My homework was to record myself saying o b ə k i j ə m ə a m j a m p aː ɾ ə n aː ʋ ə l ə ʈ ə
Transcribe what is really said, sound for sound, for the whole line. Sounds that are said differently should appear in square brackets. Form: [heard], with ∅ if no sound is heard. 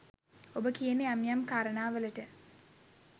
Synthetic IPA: o b ə k i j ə [n] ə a m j a m [k] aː ɾ ə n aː ʋ ə l ə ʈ ə